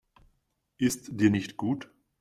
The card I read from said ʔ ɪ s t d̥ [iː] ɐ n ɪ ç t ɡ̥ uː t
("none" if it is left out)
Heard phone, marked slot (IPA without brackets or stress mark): iː